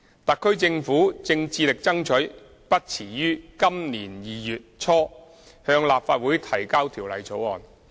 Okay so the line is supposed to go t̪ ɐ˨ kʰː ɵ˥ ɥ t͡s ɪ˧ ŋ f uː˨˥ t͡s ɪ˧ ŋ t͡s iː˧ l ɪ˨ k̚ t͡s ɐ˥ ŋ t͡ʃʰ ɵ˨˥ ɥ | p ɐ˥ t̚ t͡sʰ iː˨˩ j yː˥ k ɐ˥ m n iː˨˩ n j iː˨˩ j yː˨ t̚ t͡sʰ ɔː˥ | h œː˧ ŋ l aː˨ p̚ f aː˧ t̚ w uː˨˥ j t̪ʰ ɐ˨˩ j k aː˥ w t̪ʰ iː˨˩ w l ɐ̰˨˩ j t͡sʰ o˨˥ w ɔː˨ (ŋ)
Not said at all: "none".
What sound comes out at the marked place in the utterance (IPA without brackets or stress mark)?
n